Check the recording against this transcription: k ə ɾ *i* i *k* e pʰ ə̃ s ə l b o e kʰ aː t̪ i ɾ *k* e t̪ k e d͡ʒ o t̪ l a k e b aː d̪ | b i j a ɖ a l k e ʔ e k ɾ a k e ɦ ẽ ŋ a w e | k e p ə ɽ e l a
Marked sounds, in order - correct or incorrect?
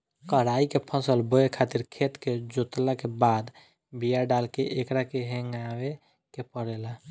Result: incorrect, correct, incorrect

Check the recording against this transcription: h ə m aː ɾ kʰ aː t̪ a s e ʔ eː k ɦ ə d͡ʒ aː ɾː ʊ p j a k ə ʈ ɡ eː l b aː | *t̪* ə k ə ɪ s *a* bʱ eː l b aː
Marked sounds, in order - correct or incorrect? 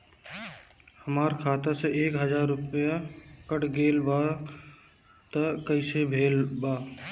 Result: correct, incorrect

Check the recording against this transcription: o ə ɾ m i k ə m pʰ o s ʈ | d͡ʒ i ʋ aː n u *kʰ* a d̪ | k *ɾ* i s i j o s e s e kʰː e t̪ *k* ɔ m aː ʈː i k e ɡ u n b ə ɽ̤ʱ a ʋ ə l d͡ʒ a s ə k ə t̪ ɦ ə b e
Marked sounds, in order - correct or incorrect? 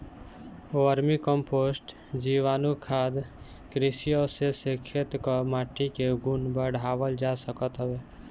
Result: correct, correct, correct

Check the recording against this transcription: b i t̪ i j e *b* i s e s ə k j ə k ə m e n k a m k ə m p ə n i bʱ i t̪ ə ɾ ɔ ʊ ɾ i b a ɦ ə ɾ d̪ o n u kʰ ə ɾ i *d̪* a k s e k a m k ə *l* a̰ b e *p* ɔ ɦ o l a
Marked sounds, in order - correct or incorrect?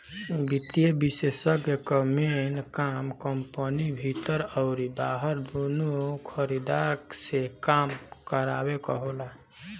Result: correct, correct, incorrect, incorrect

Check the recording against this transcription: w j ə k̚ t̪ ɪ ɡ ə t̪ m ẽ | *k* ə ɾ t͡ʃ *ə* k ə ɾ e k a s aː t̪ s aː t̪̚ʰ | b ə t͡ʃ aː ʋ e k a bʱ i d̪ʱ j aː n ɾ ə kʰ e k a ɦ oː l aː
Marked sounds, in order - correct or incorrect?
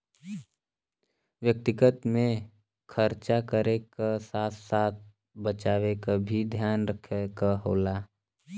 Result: incorrect, incorrect

